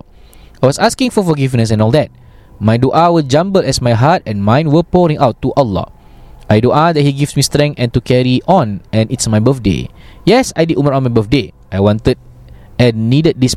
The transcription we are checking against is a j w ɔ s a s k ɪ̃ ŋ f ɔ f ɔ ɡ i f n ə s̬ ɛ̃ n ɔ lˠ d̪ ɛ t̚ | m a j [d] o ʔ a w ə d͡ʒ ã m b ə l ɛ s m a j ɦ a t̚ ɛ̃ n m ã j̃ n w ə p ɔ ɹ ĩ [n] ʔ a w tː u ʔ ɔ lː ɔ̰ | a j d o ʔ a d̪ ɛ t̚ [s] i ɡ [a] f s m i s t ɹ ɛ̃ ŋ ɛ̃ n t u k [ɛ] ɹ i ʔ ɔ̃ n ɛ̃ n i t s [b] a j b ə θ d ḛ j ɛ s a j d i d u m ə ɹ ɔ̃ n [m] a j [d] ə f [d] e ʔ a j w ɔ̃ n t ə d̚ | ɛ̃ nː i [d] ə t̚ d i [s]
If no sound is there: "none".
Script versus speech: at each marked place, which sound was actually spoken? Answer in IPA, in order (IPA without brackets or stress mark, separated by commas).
d, ŋ, h, i, ɛ, m, m, b, d, d, s